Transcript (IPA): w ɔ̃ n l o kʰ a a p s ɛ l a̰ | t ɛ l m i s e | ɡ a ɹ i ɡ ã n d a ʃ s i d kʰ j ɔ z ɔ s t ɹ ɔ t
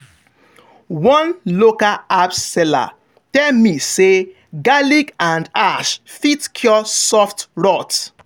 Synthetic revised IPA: w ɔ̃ n l o k a a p s ɛ l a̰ | t ɛ l m i s e | ɡ a l i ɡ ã n d a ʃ f i t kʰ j ɔ s ɔ f t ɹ ɔ t

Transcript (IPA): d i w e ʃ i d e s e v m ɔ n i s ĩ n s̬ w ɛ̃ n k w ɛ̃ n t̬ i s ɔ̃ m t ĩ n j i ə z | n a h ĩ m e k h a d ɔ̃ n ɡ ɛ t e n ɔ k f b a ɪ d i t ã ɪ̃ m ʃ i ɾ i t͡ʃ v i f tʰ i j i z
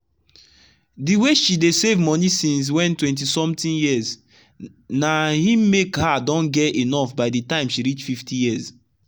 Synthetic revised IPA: d i w e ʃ i d e s e v m ɔ n i s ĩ n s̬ w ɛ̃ n t w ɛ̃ n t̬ i s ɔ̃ m t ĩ n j i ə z | n a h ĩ m e k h a d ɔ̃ n ɡ ɛ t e n ɔ f b a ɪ d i t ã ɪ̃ m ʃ i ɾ i t͡ʃ f i f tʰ i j i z

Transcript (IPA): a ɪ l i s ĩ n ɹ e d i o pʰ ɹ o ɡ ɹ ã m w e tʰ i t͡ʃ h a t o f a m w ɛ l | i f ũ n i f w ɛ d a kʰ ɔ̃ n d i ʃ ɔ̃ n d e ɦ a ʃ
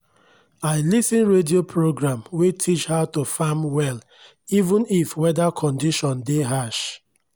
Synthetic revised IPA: a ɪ l i s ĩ n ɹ e d i o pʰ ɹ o ɡ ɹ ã m w e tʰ i t͡ʃ h a t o f a m w ɛ l | i v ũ n i f w ɛ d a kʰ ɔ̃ n d i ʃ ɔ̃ n d e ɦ a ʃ

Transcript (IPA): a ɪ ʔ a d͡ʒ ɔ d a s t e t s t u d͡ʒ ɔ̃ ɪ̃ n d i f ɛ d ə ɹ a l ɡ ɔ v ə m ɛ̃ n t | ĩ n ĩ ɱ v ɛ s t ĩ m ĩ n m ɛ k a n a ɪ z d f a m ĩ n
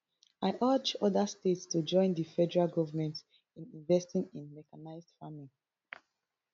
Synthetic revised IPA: a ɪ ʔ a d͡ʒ ɔ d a s t e t s t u d͡ʒ ɔ̃ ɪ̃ n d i f ɛ d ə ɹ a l ɡ ɔ v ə m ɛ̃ n t | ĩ n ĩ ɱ v ɛ s t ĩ ŋ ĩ n m ɛ k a n a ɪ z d f a m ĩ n

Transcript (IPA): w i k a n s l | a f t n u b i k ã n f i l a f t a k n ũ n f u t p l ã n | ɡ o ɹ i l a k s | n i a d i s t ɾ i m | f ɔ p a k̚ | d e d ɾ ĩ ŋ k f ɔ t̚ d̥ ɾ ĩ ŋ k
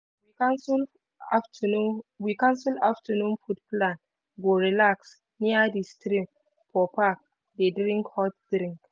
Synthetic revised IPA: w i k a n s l | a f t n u w i k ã n s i l a f t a n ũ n f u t p l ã n | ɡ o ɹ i l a k s | n i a d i s t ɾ i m | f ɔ p a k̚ | d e d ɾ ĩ ŋ k h ɔ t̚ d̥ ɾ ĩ ŋ k

